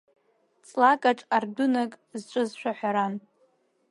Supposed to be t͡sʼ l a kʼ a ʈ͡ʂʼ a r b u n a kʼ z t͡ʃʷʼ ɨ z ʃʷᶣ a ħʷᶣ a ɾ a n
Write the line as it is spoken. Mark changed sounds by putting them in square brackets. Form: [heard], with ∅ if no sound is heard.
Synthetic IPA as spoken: t͡sʼ l a kʼ a ʈ͡ʂʼ a r [d] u n a kʼ z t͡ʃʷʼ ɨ z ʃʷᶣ a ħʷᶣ a ɾ a n